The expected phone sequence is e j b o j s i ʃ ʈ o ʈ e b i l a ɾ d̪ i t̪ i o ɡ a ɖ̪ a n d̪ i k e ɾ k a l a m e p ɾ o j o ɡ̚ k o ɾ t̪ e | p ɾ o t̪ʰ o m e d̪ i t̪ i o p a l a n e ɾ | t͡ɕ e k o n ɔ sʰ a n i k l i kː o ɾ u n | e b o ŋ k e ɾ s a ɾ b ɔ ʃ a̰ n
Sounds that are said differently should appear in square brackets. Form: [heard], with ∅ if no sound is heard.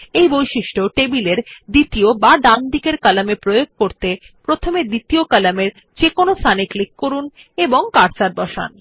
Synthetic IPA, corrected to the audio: e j b o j [ʃ] i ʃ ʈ o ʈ e b i l [e] ɾ d̪ i t̪ i o [b] a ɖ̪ a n d̪ i k e ɾ k a l a m e p ɾ o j o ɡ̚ k o ɾ t̪ e | p ɾ o t̪ʰ o m e d̪ i t̪ i o [k] a l a [m] e ɾ | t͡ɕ e k o n [o] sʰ a n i k l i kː o ɾ u n | e b o ŋ k [a] ɾ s a ɾ b ɔ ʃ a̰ n